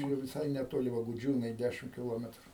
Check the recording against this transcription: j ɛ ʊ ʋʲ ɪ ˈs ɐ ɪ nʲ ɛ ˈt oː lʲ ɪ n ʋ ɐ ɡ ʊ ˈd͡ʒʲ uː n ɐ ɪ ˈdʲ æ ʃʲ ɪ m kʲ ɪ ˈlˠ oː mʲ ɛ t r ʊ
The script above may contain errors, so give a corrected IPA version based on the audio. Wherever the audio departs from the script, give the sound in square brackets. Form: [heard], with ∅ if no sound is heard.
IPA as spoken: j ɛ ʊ ʋʲ ɪ ˈs ɐ ɪ nʲ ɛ ˈt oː lʲ ɪ [∅] ʋ ɐ ɡ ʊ ˈd͡ʒʲ uː n ɐ ɪ ˈdʲ æ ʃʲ ɪ m kʲ ɪ ˈlˠ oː mʲ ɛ t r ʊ